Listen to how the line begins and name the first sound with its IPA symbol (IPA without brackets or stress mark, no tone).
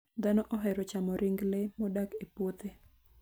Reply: d̪